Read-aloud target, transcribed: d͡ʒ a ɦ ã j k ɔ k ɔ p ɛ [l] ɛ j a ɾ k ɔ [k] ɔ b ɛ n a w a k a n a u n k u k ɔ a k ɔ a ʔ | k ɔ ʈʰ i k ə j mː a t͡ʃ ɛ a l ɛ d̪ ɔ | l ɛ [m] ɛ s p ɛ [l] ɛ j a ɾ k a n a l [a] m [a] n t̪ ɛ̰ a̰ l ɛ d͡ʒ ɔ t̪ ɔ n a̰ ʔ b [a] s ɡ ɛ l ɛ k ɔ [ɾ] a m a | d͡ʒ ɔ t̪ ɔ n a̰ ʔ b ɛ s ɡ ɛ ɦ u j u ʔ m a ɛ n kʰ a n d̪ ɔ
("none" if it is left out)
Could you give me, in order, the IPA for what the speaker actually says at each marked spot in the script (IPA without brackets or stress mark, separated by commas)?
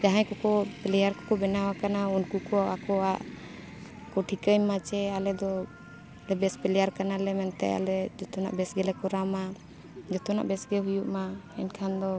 l, k, b, l, ɛ, ɛ, ɛ, ɾ